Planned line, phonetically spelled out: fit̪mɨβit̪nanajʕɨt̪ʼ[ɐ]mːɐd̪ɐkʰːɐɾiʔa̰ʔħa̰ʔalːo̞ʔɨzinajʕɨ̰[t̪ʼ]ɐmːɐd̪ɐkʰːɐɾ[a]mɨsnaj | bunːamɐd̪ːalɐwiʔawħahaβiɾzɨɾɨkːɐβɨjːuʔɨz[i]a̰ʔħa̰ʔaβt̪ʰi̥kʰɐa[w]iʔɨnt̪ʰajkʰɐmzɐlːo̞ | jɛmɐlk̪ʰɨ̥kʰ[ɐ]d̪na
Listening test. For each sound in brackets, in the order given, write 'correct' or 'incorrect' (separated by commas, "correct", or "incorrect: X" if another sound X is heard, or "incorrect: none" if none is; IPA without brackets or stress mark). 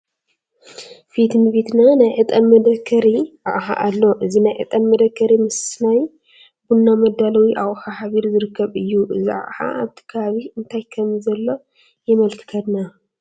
correct, correct, incorrect: i, correct, incorrect: β, correct